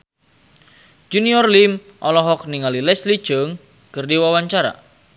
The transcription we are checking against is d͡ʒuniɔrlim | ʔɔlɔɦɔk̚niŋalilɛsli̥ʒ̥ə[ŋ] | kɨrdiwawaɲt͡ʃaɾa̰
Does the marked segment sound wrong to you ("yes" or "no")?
no